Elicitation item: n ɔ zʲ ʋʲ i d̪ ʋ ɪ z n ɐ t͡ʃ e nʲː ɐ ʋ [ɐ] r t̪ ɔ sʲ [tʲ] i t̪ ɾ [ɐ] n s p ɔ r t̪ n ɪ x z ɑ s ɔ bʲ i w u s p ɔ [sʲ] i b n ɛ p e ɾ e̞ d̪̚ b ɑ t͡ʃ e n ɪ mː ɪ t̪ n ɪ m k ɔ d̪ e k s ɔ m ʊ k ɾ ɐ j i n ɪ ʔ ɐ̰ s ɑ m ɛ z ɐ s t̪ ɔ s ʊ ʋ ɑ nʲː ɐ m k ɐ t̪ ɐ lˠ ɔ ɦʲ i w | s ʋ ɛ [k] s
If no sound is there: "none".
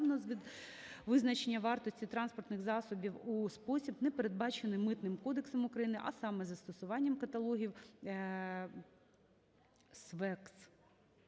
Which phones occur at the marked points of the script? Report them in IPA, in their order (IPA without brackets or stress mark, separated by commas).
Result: ɑ, tʲ, ɑ, sʲ, k